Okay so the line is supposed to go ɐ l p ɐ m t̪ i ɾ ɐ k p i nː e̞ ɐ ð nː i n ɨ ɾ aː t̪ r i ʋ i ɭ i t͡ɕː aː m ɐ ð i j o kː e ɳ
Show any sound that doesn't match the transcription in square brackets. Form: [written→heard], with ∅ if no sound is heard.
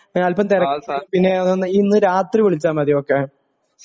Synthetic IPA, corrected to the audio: ɐ l p ɐ m t̪ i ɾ ɐ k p i nː e̞ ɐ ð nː i [n→nː] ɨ ɾ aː t̪ r i ʋ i ɭ i t͡ɕː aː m ɐ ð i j o kː e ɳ

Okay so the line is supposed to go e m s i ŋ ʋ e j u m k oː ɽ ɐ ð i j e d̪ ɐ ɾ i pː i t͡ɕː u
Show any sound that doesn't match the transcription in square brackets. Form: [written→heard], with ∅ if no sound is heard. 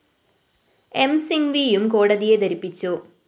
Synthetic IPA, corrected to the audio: e m s i ŋ ʋ [e→i] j u m k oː ɽ ɐ ð i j e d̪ ɐ ɾ i pː i t͡ɕː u

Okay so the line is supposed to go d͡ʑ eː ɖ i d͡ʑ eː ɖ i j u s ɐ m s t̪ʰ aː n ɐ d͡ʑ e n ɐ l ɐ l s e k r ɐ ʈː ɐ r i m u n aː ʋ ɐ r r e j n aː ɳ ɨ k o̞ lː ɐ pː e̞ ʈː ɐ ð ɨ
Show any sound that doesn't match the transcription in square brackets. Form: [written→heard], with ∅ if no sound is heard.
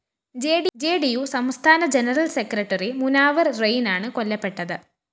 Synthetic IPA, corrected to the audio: d͡ʑ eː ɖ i d͡ʑ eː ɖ i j u s ɐ m s t̪ʰ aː n ɐ d͡ʑ e n ɐ [l→r] ɐ l s e k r ɐ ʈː ɐ r i m u n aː ʋ ɐ r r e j n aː ɳ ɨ k o̞ lː ɐ pː e̞ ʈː ɐ ð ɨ

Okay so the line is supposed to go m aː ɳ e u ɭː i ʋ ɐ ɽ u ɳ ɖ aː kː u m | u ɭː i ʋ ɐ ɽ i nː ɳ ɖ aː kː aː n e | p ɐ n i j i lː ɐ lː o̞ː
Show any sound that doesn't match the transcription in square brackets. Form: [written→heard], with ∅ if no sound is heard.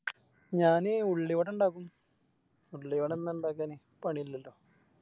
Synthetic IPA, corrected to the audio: [m→ɲ] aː [ɳ→n] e u ɭː i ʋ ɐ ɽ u ɳ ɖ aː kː u m | u ɭː i ʋ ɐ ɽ [i→e] nː ɳ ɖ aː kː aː n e | p ɐ [n→ɳ] i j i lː ɐ lː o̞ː

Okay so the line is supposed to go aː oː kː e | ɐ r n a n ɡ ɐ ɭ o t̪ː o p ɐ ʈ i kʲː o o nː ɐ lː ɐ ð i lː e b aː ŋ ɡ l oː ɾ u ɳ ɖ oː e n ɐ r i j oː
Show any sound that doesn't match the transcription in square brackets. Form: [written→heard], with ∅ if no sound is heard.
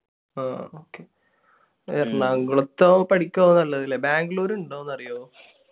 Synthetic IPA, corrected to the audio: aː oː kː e | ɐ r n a [n→ŋ] ɡ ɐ ɭ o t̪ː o p ɐ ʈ i kʲː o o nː ɐ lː ɐ ð i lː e b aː ŋ ɡ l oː ɾ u ɳ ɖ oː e [n→nː] ɐ r i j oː

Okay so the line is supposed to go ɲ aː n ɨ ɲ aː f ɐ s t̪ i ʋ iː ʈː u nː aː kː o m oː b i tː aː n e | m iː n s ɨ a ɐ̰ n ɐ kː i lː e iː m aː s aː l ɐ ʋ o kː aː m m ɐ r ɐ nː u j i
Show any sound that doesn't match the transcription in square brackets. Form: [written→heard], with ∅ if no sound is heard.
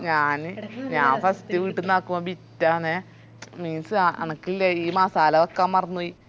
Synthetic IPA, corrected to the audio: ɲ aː n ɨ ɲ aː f ɐ s t̪ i ʋ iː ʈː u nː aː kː [o→u] m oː b i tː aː n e | m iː n s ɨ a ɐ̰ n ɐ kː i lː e iː m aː s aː l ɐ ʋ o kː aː m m ɐ r ɐ nː u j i

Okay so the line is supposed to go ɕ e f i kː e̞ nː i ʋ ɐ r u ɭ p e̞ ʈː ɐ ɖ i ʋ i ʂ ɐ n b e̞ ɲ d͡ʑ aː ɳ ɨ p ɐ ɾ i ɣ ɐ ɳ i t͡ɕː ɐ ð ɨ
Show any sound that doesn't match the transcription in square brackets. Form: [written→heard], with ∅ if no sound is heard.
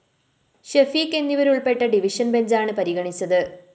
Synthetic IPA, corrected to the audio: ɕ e f i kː e̞ nː i ʋ ɐ [r→ɾ] u ɭ p e̞ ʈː ɐ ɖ i ʋ i ʂ ɐ n b e̞ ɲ d͡ʑ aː ɳ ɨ p ɐ ɾ i ɣ ɐ ɳ i t͡ɕː ɐ ð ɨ

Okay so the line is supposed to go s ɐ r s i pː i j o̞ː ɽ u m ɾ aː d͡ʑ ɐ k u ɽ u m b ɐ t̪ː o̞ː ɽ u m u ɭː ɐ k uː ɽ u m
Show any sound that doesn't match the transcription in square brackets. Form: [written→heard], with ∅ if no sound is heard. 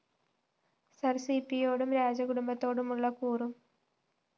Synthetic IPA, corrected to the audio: s ɐ r s i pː i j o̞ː ɽ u m ɾ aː d͡ʑ ɐ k u ɽ u m b ɐ t̪ː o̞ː ɽ u m u ɭː ɐ k uː [ɽ→r] u m

